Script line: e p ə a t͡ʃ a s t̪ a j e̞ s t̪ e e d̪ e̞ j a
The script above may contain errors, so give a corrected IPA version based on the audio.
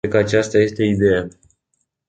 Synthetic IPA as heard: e k ə a t͡ʃ a s t̪ a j e̞ s t̪ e i d̪ e̞ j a